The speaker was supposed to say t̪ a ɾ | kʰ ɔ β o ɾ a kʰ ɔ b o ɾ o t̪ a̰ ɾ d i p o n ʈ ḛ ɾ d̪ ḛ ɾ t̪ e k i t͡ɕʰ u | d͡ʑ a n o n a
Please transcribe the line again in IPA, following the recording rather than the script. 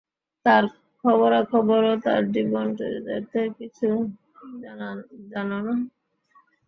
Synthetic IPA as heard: t̪ a ɾ | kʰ ɔ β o ɾ a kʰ ɔ b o ɾ o t̪ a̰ ɾ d i b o n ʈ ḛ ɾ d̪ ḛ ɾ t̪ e k i t͡ɕʰ u | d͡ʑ a n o n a